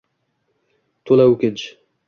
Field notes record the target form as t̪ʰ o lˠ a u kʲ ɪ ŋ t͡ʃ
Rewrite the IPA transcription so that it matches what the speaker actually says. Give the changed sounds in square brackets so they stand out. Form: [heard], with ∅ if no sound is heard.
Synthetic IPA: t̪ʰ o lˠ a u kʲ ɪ [n] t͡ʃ

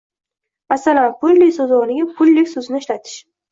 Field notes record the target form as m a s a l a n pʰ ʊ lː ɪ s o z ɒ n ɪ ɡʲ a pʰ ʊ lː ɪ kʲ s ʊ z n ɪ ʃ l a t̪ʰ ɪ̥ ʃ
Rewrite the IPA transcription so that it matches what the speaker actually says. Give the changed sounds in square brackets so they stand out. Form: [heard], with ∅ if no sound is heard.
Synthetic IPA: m a s a l a n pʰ ʊ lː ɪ s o z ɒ n ɪ ɡʲ a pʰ ʊ lː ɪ kʲ s ʊ z n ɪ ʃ l a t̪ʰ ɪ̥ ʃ

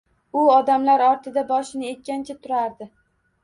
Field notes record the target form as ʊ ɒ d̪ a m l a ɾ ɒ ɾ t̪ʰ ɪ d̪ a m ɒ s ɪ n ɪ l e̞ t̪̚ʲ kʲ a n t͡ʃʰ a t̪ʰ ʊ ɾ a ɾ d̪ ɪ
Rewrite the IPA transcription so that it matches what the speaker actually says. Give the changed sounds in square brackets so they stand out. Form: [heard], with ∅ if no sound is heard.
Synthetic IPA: ʊ ɒ d̪ a m l a ɾ ɒ ɾ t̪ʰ ɪ d̪ a [b] ɒ [ʃ] ɪ n ɪ [∅] e̞ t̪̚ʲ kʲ a n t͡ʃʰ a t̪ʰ ʊ ɾ a ɾ d̪ ɪ

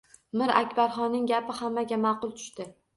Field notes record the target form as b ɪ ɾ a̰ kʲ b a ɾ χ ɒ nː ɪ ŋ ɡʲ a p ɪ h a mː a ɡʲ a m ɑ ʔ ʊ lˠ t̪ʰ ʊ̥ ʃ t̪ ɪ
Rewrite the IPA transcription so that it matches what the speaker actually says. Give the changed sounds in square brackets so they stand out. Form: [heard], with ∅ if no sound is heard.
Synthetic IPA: [m] ɪ ɾ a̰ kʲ b a ɾ χ ɒ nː ɪ ŋ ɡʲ a p ɪ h a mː a ɡʲ a m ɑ [q] ʊ lˠ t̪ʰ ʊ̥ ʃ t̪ ɪ

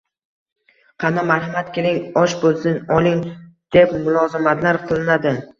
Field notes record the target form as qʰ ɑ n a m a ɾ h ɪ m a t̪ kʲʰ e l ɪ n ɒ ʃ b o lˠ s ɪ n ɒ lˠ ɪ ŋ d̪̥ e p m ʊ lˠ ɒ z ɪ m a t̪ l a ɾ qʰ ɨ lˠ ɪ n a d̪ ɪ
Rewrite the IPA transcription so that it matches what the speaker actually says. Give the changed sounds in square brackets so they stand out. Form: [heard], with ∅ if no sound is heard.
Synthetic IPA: qʰ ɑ n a m a ɾ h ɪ m a t̪ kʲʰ e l ɪ [ŋ] ɒ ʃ b o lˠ s ɪ n ɒ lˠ ɪ ŋ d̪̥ e p m ʊ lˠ ɒ z ɪ m a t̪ l a ɾ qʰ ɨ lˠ ɪ n a d̪ ɪ

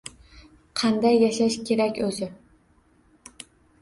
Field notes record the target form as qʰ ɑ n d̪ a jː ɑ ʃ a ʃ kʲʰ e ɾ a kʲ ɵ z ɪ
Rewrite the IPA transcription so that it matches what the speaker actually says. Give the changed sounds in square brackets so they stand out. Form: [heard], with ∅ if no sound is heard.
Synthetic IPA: qʰ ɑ n d̪ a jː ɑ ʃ a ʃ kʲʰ e ɾ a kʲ ɵ z ɪ

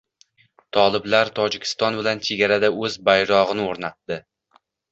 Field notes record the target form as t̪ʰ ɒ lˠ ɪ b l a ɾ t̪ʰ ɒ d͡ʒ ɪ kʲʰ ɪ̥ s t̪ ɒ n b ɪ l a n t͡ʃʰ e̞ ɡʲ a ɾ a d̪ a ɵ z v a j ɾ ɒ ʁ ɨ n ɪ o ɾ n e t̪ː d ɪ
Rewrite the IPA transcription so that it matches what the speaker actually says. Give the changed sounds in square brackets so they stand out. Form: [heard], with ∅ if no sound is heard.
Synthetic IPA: t̪ʰ ɒ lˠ ɪ b l a ɾ t̪ʰ ɒ d͡ʒ ɪ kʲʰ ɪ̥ s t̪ ɒ n b ɪ l a n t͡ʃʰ e̞ ɡʲ a ɾ a d̪ a ɵ z [b] a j ɾ ɒ ʁ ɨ n ɪ o ɾ n [a] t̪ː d ɪ

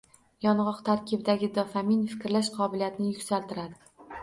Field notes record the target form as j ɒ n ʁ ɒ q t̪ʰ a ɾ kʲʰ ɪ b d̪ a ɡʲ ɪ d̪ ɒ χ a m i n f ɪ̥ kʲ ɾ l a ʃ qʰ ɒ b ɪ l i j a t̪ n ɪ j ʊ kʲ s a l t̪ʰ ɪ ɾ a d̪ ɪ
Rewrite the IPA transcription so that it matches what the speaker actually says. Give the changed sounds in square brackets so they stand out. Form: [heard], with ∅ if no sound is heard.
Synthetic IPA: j ɒ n ʁ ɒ q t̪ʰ a ɾ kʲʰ ɪ b d̪ a ɡʲ ɪ d̪ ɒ [f] a m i n f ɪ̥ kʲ ɾ l a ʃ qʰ ɒ b ɪ l i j a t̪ n ɪ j ʊ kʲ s a l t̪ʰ ɪ ɾ a d̪ ɪ

